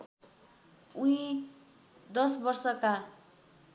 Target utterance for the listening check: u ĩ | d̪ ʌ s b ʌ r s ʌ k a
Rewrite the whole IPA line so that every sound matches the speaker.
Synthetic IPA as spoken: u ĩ | d̪ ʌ s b ʌ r s ʌ k a